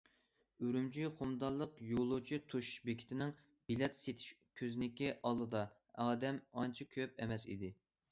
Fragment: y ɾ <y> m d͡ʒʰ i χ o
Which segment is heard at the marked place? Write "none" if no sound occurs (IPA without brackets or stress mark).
y